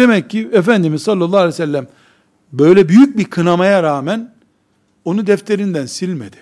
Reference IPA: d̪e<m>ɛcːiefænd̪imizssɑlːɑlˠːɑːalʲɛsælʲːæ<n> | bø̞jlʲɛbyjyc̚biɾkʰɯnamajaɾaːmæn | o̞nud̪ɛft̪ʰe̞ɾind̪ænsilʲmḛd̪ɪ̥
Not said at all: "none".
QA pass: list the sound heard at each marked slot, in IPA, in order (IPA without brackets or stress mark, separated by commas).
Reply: m, m